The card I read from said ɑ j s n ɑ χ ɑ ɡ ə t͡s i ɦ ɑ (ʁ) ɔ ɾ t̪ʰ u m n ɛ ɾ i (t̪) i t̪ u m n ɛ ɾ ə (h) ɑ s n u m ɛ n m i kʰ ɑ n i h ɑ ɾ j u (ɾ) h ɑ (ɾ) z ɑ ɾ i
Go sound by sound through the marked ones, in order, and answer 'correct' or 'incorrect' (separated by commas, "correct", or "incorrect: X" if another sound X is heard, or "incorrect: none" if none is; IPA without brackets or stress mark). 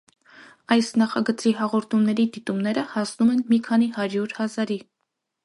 correct, incorrect: d̪, correct, correct, incorrect: none